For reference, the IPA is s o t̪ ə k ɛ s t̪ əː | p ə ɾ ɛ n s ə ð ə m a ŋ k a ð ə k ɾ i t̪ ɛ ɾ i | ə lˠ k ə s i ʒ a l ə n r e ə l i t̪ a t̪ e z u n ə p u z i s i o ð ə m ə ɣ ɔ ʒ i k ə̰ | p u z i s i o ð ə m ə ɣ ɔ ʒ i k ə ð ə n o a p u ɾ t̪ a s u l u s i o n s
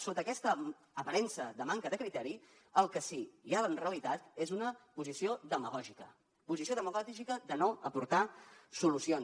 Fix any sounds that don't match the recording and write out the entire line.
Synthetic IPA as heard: s o t̪ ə k ɛ s t̪ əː | p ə ɾ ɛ n s ə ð ə m a ŋ k ə ð ə k ɾ i t̪ ɛ ɾ i | ə lˠ k ə s i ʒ a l ə n r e ə l i t̪ a t̪ e z u n ə p u z i s i o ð ə m ə ɣ ɔ ʒ i k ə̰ | p u z i s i o ð ə m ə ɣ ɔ ʒ i k ə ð ə n o ə p u ɾ t̪ a s u l u s i o n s